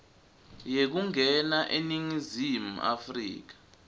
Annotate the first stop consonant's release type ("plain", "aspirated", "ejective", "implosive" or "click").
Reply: plain